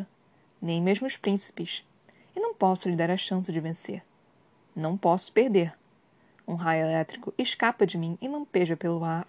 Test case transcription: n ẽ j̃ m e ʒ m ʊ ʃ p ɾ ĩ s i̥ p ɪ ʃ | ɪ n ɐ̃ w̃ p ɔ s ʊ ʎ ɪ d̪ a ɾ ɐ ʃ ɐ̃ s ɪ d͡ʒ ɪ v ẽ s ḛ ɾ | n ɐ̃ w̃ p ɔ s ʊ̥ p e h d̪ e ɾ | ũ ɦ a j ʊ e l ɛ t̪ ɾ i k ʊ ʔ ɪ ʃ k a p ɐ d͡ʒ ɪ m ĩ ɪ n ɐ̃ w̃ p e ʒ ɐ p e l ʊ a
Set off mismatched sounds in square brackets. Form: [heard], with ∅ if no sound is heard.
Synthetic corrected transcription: n ẽ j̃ m e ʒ m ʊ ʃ p ɾ ĩ s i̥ p ɪ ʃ | ɪ n ɐ̃ w̃ p ɔ s ʊ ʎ ɪ d̪ a ɾ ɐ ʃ ɐ̃ s ɪ d͡ʒ ɪ v ẽ s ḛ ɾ | n ɐ̃ w̃ p ɔ s ʊ̥ p e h d̪ e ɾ | ũ ɦ a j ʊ e l ɛ t̪ ɾ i k ʊ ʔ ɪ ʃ k a p ɐ d͡ʒ ɪ m ĩ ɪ n ɐ̃ w̃ p e ʒ ɐ p e l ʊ a